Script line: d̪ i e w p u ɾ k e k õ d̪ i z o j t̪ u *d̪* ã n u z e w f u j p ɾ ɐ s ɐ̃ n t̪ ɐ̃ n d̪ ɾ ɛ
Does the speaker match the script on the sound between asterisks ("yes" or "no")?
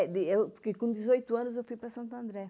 no